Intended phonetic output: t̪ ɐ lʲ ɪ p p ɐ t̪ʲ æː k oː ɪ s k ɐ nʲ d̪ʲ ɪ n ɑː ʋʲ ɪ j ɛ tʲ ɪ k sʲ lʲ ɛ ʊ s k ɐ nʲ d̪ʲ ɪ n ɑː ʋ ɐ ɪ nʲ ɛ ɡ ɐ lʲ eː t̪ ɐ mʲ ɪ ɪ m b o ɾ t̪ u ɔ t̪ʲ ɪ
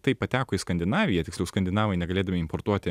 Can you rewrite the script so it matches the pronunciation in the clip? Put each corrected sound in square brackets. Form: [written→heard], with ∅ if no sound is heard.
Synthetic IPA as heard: t̪ ɐ [lʲ→∅] ɪ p p ɐ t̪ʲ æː k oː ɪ s k ɐ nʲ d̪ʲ ɪ n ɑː ʋʲ ɪ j ɛ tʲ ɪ k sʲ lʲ ɛ ʊ s k ɐ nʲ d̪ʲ ɪ n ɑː ʋ ɐ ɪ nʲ ɛ ɡ ɐ lʲ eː [t̪→d̪] ɐ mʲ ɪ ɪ m [b→p] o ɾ t̪ u ɔ t̪ʲ ɪ